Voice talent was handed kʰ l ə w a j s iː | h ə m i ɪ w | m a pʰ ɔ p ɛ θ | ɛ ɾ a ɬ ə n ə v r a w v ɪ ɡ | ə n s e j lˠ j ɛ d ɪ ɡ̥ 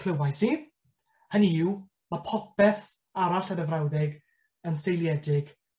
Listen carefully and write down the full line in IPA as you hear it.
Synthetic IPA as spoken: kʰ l ə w a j s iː | h ə n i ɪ w | m a pʰ ɔ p ɛ θ | a ɾ a ɬ ə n ə v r a w ð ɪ ɡ | ə n s e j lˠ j ɛ d ɪ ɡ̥